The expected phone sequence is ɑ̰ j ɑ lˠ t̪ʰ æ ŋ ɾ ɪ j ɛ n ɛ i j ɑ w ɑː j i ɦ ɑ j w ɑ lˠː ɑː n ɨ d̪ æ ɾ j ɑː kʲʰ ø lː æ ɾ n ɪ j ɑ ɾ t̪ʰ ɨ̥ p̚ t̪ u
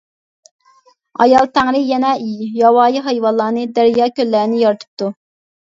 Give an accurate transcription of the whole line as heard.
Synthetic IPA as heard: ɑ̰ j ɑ lˠ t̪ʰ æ ŋ ɾ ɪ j ɛ n ɛ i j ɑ w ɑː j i ɦ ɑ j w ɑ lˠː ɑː n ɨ d̪ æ ɾ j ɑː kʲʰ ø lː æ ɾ n ɪ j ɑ ɾ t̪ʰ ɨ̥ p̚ t̪ u

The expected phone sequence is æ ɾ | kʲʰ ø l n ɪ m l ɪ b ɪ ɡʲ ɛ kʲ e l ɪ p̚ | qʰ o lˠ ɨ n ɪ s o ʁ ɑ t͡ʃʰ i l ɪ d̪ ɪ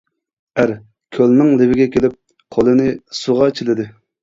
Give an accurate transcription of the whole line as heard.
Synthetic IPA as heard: æ ɾ | kʲʰ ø l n ɪ ŋ l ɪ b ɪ ɡʲ ɛ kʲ e l ɪ p̚ | qʰ o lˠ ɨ n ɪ s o ʁ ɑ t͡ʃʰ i l ɪ d̪ ɪ

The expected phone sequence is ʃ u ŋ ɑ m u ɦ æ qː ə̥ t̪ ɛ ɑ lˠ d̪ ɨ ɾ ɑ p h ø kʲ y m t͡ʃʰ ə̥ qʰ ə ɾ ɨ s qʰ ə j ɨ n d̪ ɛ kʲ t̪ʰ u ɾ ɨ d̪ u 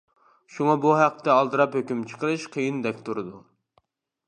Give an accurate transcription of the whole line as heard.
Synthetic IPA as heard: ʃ u ŋ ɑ b u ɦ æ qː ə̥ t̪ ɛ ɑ lˠ d̪ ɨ ɾ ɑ p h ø kʲ y m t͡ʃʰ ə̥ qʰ ə ɾ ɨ ʃ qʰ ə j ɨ n d̪ ɛ kʲ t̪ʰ u ɾ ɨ d̪ u

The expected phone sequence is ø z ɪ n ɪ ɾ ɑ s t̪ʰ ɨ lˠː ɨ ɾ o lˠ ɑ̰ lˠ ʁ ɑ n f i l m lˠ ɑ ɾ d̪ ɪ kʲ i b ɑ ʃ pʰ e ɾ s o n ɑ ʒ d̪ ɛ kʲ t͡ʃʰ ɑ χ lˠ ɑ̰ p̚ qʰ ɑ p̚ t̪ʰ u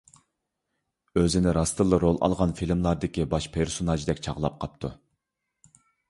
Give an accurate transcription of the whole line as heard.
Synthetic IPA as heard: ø z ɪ n ɪ ɾ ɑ s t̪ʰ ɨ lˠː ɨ ɾ o lˠ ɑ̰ lˠ ʁ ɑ n f i l m lˠ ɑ ɾ d̪ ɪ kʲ i b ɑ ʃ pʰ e ɾ s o n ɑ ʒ d̪ ɛ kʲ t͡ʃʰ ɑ ʁ lˠ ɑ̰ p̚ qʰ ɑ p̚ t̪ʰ u

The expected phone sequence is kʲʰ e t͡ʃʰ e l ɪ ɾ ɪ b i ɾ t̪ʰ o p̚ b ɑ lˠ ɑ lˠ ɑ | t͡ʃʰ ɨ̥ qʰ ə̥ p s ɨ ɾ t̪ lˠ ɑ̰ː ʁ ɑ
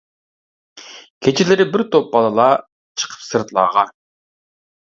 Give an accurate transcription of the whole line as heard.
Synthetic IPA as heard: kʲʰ e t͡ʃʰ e l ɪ ɾ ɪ b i ɾ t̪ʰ o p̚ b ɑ lˠ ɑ lˠ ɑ | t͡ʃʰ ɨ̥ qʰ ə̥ p s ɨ ɾ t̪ lˠ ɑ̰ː ʁ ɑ

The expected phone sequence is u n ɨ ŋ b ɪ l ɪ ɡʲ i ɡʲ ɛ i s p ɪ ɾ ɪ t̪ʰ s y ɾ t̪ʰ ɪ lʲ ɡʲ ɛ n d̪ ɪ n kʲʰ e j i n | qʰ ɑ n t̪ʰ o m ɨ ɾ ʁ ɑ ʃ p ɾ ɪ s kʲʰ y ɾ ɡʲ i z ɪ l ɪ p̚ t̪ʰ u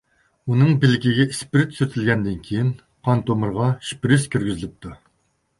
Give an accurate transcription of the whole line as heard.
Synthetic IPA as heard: u n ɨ ŋ b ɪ l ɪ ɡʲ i ɡʲ ɛ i s p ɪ ɾ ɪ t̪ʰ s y ɾ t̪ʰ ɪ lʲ ɡʲ ɛ n d̪ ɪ n kʲʰ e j i n | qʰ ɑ n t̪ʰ o m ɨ ɾ ʁ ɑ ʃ p ɾ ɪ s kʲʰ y ɾ ɡʲ y z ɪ l ɪ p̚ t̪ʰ u

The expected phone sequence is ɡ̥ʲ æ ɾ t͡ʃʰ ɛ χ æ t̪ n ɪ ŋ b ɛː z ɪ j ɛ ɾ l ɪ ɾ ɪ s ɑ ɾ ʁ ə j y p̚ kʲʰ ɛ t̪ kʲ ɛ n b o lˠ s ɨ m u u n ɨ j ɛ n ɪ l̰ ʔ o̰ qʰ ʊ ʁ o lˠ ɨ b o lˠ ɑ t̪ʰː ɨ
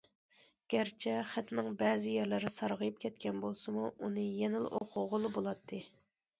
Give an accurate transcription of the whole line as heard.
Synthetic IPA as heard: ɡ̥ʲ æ ɾ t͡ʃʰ ɛ χ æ t̪ n ɪ ŋ b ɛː z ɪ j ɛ ɾ l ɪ ɾ ɪ s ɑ ɾ ʁ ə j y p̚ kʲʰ ɛ t̪ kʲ ɛ n b o lˠ s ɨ m u u n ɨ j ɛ n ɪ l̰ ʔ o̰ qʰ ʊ ʁ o lˠ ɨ b o lˠ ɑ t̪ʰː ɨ

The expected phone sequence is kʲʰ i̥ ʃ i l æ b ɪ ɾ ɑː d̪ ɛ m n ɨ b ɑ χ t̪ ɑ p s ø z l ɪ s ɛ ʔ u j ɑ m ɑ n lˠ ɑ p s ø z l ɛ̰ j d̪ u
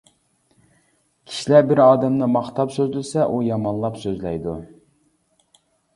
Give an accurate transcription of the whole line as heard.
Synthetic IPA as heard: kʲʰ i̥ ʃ i l æ b ɪ ɾ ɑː d̪ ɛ m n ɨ m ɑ χ t̪ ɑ p s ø z l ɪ s ɛ ʔ u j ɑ m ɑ n lˠ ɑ p s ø z l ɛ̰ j d̪ u

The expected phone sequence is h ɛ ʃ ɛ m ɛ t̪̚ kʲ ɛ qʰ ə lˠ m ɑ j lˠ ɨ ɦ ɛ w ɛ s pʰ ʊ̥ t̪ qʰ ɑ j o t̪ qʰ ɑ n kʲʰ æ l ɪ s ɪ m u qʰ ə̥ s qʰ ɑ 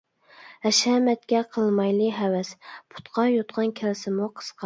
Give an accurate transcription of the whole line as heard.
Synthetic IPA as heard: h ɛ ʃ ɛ m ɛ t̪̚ kʲ ɛ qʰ ə lˠ m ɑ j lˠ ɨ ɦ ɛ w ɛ s pʰ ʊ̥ t̪ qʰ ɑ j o t̪ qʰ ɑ n kʲʰ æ l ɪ s ɪ m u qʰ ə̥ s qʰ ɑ

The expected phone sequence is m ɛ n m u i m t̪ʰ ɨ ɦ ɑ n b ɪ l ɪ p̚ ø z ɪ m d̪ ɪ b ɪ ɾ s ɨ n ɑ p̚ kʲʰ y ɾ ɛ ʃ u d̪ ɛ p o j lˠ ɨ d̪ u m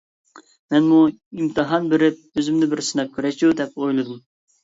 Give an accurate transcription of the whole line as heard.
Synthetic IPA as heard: m ɛ n m u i m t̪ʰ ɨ ɦ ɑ n b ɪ ɾ ɪ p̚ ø z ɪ m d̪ ɪ b ɪ ɾ s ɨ n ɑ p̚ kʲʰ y ɾ ɛ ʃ u d̪ ɛ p o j lˠ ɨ d̪ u m

